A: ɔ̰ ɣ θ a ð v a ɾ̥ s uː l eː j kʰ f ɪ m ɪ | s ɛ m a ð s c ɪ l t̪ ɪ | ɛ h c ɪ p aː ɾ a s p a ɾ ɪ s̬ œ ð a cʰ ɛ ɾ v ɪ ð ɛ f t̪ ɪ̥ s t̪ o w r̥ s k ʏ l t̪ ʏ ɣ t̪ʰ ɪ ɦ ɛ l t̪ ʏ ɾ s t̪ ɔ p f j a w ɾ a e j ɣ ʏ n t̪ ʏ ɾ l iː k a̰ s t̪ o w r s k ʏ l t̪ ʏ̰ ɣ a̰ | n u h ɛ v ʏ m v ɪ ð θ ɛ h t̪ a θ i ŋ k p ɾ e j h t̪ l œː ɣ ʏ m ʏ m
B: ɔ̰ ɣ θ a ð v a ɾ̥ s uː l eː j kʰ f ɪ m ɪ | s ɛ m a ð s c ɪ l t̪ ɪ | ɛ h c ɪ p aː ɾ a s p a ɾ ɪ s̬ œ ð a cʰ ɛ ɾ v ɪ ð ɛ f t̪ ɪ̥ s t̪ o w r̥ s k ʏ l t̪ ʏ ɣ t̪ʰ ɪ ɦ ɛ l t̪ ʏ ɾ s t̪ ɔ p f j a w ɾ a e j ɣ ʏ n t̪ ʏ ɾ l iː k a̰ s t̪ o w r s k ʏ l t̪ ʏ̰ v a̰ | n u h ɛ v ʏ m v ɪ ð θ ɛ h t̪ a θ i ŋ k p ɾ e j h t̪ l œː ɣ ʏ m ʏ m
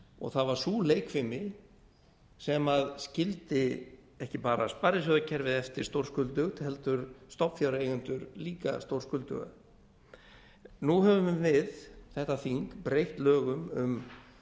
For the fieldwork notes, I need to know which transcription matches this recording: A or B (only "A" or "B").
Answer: A